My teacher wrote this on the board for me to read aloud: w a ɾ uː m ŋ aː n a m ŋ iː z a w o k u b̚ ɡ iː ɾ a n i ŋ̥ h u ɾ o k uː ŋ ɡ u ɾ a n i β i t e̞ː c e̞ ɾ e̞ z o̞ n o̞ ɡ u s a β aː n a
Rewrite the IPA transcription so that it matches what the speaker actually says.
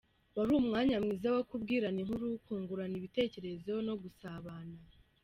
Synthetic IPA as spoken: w a ɾ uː m ŋ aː ɲ a m ŋ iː z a w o k u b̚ ɡ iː ɾ a n i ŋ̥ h u ɾ u k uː ŋ ɡ u ɾ a n i β i t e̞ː c e̞ ɾ e̞ z o̞ n o̞ ɡ u s a β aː n a

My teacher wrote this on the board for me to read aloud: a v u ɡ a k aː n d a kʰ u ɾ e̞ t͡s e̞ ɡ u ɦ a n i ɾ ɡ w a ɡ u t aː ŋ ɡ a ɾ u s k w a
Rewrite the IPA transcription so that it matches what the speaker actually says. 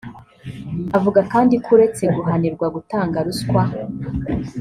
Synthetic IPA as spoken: a v u ɡ a k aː n d i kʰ u ɾ e̞ t͡s e̞ ɡ u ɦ a n i ɾ ɡ w a ɡ u t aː ŋ ɡ a ɾ u s k w a

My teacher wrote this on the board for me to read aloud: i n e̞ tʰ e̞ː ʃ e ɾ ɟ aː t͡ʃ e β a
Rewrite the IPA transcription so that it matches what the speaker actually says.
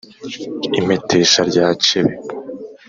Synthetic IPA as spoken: i m e̞ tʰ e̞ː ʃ a ɾ ɟ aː t͡ʃ e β e

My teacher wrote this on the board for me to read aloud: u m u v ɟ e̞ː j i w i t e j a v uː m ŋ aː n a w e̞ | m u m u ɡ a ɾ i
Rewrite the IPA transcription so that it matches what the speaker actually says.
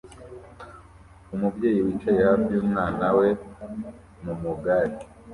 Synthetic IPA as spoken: u m u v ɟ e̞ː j i w i t͡ʃ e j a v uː m ŋ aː n a w e̞ | m u m u ɡ a ɾ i

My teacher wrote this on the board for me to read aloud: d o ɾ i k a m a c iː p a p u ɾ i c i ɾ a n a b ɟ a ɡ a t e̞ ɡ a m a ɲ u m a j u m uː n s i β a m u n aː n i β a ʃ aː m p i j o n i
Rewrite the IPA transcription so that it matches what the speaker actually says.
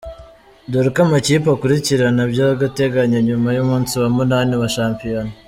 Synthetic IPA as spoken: d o ɾ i k a m a c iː p a k u ɾ i c i ɾ a n a b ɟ a ɡ a t e̞ ɡ a ɲ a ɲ u m a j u m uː n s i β a m u n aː n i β a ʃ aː m p i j o n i

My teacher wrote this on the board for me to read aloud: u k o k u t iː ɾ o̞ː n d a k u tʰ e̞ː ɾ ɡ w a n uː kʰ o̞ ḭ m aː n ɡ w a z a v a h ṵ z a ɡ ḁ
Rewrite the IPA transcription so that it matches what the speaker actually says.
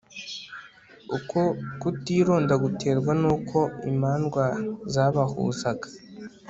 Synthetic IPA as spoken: u k o k u t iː ɾ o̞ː n d a ɡ u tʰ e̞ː ɾ ɡ w a n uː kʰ o̞ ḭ m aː n ɡ w a z a β a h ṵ z a ɡ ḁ

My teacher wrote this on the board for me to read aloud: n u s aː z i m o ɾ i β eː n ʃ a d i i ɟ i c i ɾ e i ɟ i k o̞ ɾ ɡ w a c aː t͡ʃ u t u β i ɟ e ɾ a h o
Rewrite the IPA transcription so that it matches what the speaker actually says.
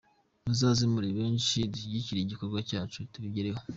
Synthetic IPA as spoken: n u z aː z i m u ɾ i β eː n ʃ i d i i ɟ i c i ɾ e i ɟ i k o̞ ɾ ɡ w a c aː t͡ʃ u t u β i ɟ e ɾ e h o

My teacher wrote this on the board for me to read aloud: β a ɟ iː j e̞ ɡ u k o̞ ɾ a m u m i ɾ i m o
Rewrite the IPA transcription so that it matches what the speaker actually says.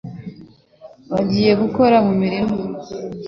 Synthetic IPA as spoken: β a ɟ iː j e̞ ɡ u k o̞ ɾ a m u m i ɾ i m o

